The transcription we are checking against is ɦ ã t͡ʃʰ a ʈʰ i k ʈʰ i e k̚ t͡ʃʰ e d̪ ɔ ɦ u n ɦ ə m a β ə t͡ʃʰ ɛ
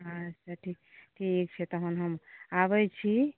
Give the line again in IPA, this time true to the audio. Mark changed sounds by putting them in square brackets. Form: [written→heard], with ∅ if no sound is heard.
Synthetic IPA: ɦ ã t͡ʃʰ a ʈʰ i k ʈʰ i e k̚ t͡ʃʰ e [d̪→t̪] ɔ ɦ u n ɦ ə m a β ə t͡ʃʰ [ɛ→i]